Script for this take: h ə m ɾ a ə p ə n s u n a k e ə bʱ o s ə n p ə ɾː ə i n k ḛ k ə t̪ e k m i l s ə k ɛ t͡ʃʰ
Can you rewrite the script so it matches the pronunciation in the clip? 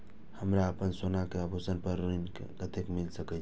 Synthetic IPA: h ə m ɾ a ə p ə n s o n a k e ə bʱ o s ə n p ə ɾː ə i n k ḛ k ə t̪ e k m i l s ə k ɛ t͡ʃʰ